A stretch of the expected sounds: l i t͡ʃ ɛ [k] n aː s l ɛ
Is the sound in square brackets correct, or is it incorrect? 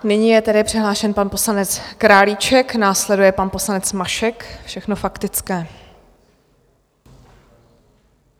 correct